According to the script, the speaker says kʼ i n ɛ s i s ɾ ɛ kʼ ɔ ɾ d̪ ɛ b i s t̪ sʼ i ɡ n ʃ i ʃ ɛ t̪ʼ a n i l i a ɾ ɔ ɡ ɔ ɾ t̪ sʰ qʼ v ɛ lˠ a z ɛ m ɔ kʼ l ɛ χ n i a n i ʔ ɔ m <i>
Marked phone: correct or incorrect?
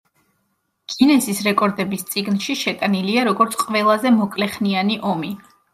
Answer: correct